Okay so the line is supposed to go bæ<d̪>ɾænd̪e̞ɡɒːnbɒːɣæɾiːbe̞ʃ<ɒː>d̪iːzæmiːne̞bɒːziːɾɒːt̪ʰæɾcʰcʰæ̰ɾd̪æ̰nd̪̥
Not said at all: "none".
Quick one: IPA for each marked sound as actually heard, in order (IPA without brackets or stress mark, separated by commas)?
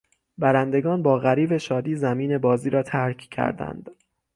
none, ɒː